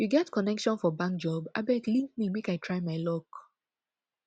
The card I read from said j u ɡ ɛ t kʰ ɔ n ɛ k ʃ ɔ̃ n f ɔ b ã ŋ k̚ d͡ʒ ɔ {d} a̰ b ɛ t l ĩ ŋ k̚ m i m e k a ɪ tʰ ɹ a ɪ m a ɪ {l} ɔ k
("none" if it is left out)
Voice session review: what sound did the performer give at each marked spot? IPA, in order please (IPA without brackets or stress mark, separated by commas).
b, l